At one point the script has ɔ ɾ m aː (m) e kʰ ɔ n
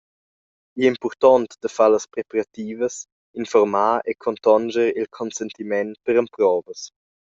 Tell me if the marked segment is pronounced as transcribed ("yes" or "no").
no